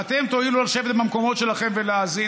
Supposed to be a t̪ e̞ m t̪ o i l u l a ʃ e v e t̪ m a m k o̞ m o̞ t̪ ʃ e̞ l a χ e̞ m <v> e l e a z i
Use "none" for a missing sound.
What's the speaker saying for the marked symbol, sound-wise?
v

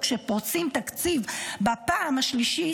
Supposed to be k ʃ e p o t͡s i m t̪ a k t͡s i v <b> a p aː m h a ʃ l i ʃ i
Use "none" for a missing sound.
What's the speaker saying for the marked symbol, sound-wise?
b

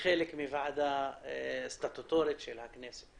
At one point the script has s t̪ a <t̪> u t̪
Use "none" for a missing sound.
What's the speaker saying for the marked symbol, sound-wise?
t̪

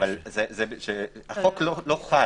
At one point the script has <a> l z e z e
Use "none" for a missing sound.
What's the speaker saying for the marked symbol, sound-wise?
a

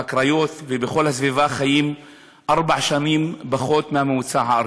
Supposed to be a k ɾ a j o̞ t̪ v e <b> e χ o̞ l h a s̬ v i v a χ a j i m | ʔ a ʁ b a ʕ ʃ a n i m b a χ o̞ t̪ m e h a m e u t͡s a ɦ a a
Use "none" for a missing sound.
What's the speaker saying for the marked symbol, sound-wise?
b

